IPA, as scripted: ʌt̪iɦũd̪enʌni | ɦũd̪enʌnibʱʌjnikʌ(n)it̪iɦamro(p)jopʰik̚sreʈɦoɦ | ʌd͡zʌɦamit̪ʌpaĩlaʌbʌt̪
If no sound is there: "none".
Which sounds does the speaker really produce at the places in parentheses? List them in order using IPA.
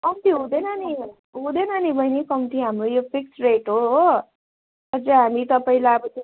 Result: m, none

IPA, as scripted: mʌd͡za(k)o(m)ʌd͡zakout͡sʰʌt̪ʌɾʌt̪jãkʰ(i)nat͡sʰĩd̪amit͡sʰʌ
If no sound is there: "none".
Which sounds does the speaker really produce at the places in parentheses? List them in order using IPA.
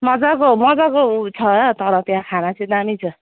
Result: k, m, a

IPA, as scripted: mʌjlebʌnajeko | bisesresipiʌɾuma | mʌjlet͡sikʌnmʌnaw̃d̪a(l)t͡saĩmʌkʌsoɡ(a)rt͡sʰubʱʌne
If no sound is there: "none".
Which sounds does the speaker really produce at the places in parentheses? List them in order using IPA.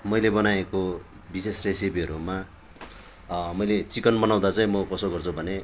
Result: none, ʌ

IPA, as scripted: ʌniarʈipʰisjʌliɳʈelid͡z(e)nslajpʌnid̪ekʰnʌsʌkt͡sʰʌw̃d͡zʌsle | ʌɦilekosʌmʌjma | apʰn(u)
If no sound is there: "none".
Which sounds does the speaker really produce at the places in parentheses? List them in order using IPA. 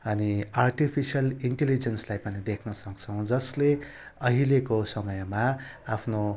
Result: e, o

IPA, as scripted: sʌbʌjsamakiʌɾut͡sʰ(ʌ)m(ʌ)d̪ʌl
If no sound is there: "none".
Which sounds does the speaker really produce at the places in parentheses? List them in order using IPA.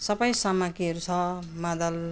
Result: ʌ, a

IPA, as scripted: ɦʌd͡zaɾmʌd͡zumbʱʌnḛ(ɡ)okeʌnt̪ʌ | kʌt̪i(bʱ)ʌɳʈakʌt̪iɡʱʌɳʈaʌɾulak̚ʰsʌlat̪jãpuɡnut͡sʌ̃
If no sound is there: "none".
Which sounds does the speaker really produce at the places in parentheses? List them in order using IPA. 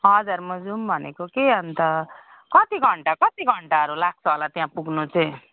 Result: k, ɡʱ

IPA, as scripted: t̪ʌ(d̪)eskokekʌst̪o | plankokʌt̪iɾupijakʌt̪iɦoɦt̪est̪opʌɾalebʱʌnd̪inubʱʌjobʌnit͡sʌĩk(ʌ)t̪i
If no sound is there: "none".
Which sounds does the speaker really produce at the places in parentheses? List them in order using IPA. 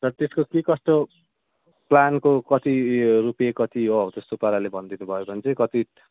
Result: t̪, ʌ

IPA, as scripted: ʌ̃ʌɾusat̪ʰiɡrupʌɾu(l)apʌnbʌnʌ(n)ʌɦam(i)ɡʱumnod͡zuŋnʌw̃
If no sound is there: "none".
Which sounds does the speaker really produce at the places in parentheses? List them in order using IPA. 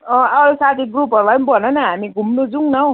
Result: l, n, i

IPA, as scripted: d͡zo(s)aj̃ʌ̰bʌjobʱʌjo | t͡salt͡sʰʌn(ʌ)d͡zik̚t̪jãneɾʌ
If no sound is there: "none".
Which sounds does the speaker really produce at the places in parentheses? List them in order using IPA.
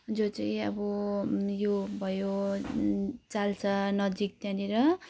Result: t͡s, ʌ

